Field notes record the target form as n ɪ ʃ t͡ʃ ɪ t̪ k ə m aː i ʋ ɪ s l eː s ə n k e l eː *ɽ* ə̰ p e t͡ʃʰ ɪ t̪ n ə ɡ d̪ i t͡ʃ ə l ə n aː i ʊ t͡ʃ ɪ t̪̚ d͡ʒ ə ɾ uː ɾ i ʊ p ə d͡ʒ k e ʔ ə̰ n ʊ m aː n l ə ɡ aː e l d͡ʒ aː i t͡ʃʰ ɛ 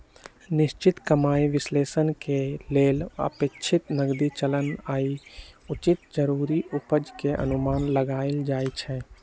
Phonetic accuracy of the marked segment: incorrect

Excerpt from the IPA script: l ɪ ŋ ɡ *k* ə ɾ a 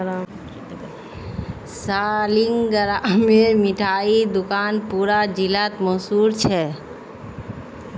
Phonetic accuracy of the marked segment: incorrect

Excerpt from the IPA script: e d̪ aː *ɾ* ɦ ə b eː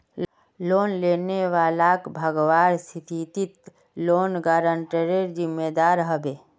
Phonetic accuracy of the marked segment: correct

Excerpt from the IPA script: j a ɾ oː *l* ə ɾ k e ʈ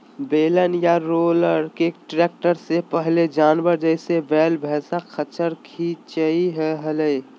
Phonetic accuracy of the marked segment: correct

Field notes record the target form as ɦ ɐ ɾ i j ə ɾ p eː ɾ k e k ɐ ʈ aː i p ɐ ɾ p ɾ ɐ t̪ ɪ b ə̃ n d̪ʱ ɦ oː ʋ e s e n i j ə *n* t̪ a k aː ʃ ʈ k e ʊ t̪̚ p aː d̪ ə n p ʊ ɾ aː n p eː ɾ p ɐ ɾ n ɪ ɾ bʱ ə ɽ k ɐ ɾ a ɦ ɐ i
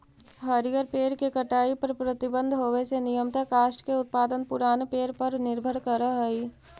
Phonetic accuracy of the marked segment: incorrect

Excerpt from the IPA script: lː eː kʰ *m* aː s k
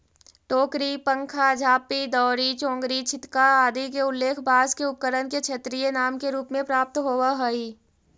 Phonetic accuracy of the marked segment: incorrect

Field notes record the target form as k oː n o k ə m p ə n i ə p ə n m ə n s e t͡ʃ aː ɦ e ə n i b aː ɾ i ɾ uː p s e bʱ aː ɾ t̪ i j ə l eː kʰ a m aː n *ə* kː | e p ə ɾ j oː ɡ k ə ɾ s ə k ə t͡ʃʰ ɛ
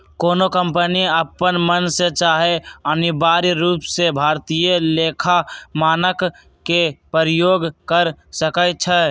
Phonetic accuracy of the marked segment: correct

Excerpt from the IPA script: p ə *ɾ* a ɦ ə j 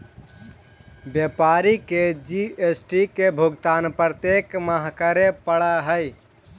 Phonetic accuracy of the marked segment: incorrect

